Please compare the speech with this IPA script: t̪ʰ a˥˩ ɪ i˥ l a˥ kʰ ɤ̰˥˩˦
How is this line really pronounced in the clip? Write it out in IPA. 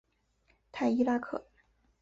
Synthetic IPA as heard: t̪ʰ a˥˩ ɪ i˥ l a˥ kʰ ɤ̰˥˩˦